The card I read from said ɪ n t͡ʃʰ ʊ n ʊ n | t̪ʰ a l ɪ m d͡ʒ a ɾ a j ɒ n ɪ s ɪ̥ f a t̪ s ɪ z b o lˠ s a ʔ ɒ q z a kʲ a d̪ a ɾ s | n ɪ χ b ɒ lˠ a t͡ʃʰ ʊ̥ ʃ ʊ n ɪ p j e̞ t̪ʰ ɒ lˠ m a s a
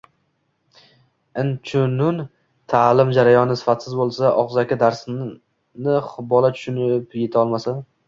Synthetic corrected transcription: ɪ n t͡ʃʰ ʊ n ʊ n | t̪ʰ a l ɪ m d͡ʒ a ɾ a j ɒ n ɪ s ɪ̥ f a t̪ s ɪ z b o lˠ s a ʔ ɒ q z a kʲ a d̪ a ɾ s | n ɪ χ b ɒ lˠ a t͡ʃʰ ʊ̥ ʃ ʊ n ɪ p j e̞ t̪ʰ ɒ lˠ m a s a

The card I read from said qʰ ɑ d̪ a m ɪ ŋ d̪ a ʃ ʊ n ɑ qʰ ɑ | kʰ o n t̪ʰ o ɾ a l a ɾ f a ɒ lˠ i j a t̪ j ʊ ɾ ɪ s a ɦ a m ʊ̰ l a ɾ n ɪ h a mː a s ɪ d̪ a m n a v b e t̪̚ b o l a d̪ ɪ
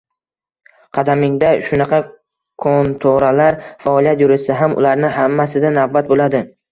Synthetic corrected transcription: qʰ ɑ d̪ a m ɪ ŋ d̪ a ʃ ʊ n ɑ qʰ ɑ | kʰ o n t̪ʰ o ɾ a l a ɾ f a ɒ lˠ i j a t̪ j ʊ ɾ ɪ s a ɦ a m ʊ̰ l a ɾ n ɪ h a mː a s ɪ d̪ a n a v b a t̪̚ b o l a d̪ ɪ

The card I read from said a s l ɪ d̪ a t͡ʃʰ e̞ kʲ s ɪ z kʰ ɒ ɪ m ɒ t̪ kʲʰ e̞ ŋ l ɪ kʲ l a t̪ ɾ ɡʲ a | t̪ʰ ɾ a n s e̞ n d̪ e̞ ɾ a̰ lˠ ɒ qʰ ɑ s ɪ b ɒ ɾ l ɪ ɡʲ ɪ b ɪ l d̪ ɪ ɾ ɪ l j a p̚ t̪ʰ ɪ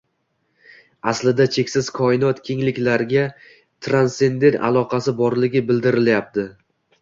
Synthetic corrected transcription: a s l ɪ d̪ a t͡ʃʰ e̞ kʲ s ɪ z kʰ ɒ ɪ n ɒ t̪ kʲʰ e̞ ŋ l ɪ kʲ l a ɾ ɡʲ a | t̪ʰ ɾ a n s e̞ n d̪ e̞ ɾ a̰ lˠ ɒ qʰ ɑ s ɪ b ɒ ɾ l ɪ ɡʲ ɪ b ɪ l d̪ ɪ ɾ ɪ l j a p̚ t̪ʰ ɪ

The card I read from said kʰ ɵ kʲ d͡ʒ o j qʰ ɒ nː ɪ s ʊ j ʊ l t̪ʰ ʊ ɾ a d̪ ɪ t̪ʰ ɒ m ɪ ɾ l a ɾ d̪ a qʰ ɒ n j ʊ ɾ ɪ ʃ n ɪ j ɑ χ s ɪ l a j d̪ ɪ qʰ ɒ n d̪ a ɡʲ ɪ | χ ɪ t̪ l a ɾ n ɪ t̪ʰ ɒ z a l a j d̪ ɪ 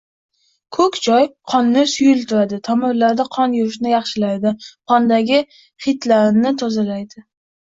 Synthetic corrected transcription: kʰ ɵ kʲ d͡ʒ ɒ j qʰ ɒ nː ɪ s ʊ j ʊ l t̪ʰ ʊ ɾ a d̪ ɪ t̪ʰ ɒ m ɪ ɾ l a ɾ d̪ a qʰ ɒ n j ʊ ɾ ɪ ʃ n ɪ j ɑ χ ʃ ɪ l a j d̪ ɪ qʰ ɒ n d̪ a ɡʲ ɪ | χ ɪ t̪ l a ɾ n ɪ t̪ʰ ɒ z a l a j d̪ ɪ

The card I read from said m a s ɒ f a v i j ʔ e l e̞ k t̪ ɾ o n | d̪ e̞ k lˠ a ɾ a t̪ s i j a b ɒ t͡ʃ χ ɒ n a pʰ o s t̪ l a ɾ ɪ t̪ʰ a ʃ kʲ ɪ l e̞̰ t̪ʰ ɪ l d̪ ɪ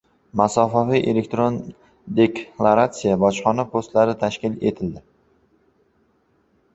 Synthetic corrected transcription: m a s ɒ f a v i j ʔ e l e̞ k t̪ ɾ o n | d̪ e̞ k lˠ a ɾ a t̪ s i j a b ɒ t͡ʃ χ ɒ n a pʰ o s t̪ l a ɾ ɪ t̪ʰ a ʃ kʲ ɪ l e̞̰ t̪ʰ ɪ l d̪ ɪ

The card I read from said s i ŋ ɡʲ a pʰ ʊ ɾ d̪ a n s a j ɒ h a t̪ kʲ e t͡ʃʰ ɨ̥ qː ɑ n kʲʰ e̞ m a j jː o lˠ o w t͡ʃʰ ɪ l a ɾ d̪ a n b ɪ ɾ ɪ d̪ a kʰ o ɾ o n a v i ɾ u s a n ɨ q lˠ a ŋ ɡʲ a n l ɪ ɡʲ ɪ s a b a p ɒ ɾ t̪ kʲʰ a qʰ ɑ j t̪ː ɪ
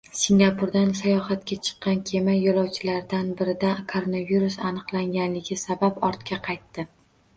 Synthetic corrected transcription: s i ŋ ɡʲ a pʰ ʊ ɾ d̪ a n s a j ɒ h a t̪ kʲ a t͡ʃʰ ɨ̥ qː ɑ n kʲʰ e̞ m a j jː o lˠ ɒ w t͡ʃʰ ɪ l a ɾ d̪ a n b ɪ ɾ ɪ d̪ a kʰ o ɾ o n a v i ɾ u s a n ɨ q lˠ a ŋ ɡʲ a n l ɪ ɡʲ ɪ s a b a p ɒ ɾ t̪ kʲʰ a qʰ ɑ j t̪ː ɪ

